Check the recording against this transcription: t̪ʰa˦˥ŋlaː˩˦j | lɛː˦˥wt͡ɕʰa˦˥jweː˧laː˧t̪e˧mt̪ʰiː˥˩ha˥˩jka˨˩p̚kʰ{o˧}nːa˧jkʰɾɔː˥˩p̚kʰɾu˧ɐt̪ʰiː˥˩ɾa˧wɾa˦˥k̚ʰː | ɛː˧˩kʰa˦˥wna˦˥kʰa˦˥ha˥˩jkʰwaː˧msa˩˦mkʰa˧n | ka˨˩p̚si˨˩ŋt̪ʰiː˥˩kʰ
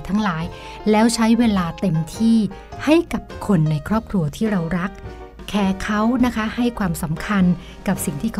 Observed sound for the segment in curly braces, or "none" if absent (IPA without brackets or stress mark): o˧